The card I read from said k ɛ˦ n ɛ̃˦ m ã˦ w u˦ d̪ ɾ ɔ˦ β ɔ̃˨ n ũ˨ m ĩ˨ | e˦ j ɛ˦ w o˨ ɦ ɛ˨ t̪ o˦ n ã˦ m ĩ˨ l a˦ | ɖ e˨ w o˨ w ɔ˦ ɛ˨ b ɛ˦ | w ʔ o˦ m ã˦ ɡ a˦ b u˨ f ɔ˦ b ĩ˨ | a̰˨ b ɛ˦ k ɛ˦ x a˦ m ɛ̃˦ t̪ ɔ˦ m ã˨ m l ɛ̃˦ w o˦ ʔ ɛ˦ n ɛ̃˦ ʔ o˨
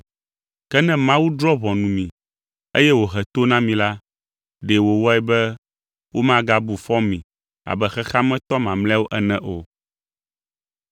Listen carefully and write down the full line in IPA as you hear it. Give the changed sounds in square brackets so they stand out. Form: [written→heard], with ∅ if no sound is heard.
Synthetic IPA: k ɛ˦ n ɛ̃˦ m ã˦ w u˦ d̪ ɾ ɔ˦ β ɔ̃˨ n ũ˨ m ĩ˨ | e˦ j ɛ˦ w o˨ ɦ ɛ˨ t̪ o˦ n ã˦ m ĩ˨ l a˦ | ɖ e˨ w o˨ w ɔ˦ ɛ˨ b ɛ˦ | w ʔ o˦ m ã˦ ɡ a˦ b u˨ f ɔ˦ [b→m] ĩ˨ | a̰˨ b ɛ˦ [k→x] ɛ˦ x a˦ m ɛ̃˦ t̪ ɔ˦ m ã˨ m l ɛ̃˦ w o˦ ʔ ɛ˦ n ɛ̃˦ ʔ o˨